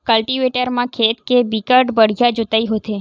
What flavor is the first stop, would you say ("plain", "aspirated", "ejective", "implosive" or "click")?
plain